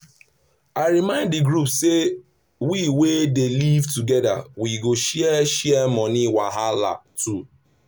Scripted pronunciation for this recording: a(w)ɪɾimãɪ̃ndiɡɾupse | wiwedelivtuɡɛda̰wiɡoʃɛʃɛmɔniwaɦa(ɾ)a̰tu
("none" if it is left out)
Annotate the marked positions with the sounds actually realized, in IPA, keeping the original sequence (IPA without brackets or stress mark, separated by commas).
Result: none, l